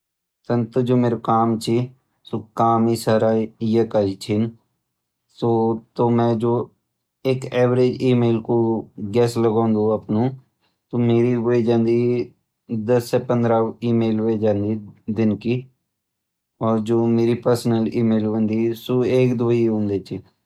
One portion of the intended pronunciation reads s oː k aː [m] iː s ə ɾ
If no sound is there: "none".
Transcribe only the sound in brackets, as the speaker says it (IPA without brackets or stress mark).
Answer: m